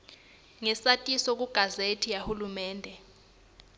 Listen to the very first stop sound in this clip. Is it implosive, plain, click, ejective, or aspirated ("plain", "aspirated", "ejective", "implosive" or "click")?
ejective